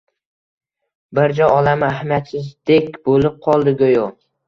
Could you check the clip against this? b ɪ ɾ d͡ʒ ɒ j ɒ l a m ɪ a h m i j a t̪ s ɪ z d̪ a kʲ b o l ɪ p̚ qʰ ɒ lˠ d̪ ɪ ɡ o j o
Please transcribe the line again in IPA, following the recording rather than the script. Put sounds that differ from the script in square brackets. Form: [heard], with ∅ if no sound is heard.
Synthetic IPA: b ɪ ɾ d͡ʒ ɒ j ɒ l a m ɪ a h m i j a t̪ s ɪ z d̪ [e] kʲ b o l ɪ p̚ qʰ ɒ lˠ d̪ ɪ ɡ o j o